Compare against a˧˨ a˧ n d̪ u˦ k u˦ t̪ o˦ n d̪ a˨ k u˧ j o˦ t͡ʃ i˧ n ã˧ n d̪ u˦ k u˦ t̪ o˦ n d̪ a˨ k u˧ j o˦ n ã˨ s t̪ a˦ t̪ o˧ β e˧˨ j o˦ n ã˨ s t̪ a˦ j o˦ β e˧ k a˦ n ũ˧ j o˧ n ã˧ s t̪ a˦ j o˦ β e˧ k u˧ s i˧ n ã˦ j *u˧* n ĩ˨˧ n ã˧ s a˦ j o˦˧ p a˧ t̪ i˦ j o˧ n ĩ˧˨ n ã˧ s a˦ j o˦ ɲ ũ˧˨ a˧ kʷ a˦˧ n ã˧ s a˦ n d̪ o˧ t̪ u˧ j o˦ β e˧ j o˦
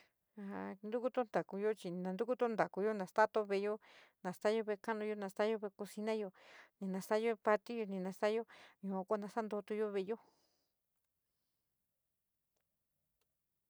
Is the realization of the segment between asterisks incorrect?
yes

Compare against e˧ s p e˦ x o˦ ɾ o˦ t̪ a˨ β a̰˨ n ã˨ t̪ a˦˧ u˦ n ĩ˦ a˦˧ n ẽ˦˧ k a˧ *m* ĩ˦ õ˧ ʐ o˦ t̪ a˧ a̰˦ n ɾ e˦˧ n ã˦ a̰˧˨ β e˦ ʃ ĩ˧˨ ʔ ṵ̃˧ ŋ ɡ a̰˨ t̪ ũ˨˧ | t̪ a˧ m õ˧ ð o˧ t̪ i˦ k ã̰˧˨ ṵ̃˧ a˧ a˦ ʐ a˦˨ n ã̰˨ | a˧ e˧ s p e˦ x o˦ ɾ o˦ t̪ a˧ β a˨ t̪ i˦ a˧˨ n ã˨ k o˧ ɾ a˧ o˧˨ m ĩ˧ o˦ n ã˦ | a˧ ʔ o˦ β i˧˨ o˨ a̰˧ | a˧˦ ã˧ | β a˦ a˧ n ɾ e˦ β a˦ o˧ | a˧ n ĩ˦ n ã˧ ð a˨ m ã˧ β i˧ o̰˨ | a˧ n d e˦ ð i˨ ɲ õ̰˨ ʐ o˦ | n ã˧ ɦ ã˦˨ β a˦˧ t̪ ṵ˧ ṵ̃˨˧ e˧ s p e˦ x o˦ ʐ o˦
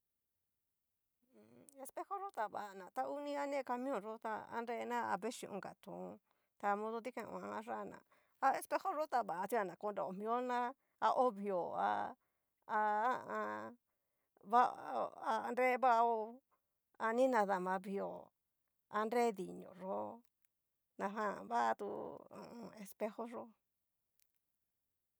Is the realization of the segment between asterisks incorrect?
no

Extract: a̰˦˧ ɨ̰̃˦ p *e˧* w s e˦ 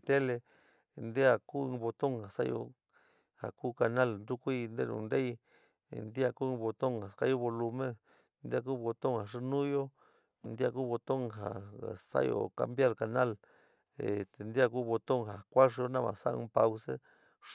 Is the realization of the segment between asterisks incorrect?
yes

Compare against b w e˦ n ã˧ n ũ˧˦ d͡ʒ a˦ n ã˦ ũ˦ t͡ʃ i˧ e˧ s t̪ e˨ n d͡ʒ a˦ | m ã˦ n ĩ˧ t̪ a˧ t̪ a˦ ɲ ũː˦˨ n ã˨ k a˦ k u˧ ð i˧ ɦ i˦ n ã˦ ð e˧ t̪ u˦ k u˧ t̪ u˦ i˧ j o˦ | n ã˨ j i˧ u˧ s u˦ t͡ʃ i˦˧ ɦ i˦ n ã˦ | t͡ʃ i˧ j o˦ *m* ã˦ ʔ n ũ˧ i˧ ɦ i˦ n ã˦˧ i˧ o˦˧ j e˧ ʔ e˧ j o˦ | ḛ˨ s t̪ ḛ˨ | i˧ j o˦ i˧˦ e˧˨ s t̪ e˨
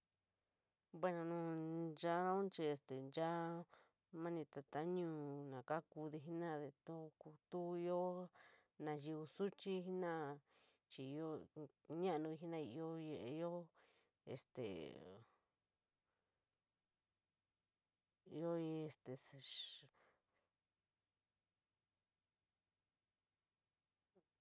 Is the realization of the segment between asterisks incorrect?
yes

